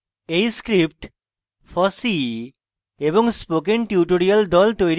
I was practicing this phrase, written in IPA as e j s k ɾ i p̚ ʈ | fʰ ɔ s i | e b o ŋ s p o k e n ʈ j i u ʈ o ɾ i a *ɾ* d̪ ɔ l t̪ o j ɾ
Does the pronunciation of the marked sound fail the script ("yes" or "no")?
yes